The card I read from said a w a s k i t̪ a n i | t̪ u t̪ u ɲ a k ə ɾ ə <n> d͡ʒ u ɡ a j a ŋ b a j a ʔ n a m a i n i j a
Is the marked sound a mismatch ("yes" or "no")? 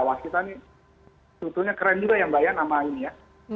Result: no